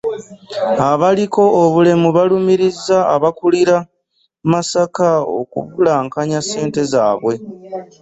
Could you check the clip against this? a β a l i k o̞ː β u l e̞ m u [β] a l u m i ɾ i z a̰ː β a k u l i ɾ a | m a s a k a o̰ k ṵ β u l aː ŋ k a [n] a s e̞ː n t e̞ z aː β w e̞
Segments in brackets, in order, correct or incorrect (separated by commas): correct, incorrect